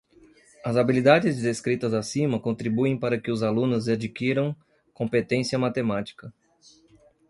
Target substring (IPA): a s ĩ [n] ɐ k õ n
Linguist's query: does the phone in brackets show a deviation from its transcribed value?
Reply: yes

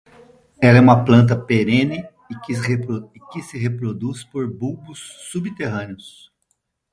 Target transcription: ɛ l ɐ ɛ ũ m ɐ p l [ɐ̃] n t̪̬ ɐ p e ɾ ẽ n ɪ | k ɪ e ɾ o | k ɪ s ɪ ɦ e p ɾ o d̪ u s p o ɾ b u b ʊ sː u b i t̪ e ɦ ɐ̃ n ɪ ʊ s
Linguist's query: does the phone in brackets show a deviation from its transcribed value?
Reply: no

